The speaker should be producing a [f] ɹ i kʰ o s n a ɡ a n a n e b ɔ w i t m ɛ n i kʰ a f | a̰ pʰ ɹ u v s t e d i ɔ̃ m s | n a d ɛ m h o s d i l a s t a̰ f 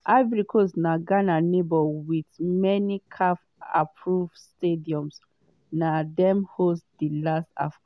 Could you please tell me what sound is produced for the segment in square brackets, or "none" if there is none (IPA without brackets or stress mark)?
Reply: v